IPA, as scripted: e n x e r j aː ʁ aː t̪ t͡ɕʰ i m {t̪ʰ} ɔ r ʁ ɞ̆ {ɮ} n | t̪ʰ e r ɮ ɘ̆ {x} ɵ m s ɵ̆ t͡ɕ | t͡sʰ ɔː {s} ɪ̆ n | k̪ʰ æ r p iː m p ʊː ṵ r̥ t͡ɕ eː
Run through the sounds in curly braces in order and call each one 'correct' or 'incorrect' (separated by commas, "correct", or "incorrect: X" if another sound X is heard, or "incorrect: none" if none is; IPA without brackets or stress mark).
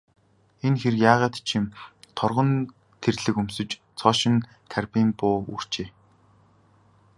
correct, incorrect: none, incorrect: k, incorrect: ʃ